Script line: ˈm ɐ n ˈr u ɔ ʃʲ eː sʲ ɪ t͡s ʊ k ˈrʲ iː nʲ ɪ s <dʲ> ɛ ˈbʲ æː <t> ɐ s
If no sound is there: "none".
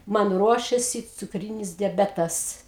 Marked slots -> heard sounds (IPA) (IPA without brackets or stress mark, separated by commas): dʲ, t